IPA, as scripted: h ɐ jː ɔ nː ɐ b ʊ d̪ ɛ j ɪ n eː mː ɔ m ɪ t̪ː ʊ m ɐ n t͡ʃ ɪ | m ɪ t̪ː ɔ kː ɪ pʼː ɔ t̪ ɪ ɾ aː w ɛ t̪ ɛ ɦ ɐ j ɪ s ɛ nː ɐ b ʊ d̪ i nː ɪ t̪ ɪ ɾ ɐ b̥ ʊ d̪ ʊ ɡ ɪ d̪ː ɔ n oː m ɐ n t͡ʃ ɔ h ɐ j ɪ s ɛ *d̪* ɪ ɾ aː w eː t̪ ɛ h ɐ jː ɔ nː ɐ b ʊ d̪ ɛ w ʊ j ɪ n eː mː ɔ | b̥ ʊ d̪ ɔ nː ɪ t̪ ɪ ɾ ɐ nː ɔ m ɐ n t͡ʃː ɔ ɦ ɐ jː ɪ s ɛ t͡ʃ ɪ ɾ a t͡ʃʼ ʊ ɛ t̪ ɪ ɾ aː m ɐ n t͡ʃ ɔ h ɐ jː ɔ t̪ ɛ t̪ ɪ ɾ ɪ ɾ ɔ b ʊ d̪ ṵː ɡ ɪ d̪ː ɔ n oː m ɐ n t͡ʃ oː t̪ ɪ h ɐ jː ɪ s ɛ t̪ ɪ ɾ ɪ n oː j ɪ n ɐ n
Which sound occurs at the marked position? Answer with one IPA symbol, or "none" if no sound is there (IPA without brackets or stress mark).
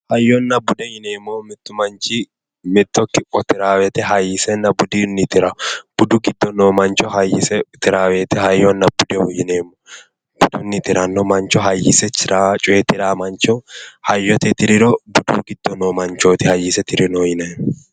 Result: t̪